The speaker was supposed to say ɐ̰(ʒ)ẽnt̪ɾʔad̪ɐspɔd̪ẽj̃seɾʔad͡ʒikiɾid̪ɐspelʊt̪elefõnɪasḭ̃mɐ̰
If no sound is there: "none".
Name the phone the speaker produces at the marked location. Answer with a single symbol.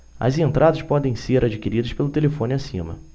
z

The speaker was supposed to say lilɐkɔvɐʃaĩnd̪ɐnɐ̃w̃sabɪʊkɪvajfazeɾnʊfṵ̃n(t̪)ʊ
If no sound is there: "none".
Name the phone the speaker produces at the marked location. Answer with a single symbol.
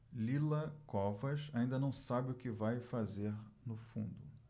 d̪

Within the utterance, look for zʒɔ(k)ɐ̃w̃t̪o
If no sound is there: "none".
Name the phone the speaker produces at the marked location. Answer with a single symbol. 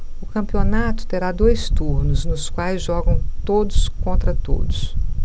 ɡ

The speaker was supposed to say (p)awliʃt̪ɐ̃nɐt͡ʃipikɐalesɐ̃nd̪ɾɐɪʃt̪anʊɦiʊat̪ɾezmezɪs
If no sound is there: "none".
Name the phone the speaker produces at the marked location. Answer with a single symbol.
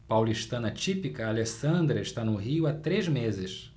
p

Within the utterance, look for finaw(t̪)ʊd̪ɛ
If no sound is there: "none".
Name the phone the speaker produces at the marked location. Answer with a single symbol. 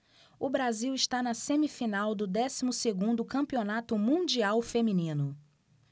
d̪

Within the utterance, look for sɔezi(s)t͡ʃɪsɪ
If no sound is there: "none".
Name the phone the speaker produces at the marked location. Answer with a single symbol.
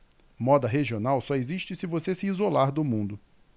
ʃ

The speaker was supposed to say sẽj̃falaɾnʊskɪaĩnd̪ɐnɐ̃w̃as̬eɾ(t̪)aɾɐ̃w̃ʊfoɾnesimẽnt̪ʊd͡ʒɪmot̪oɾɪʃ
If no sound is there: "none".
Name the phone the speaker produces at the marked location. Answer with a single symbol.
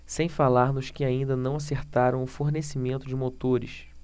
t̪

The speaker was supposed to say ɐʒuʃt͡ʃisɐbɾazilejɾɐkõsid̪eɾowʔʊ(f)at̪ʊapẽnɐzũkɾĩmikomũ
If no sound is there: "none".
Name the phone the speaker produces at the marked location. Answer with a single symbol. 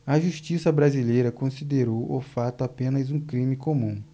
f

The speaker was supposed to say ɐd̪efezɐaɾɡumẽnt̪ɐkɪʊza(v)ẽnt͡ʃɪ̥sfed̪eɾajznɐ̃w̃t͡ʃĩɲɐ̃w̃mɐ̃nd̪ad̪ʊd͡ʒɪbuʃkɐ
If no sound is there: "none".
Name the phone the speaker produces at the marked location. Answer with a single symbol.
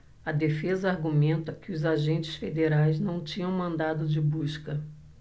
ʒ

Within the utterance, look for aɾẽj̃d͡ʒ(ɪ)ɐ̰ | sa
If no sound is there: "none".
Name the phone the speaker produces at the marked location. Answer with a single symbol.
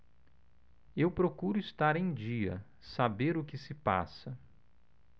i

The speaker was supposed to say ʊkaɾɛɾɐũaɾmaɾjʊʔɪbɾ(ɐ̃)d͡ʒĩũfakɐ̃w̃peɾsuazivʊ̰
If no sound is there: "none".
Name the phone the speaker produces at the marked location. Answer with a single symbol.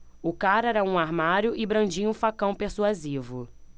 ɐ̃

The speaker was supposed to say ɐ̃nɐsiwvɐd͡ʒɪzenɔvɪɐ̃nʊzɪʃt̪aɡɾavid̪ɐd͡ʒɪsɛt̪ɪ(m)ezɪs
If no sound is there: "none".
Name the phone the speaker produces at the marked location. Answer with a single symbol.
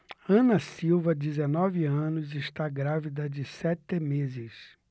m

